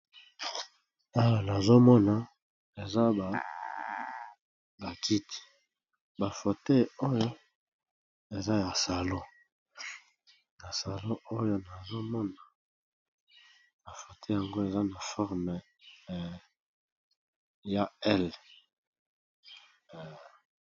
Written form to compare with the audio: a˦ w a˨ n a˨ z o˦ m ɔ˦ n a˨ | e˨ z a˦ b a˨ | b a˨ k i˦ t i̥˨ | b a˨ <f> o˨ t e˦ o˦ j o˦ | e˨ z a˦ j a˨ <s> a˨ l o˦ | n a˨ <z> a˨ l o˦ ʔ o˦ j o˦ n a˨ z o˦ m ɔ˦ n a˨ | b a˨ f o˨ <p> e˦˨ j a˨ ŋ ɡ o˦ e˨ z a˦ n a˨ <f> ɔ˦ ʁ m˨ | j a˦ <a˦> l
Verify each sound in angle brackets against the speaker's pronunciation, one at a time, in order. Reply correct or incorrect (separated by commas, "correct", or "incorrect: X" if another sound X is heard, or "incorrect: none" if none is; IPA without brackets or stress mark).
correct, correct, incorrect: s, incorrect: t, correct, incorrect: ɛ˦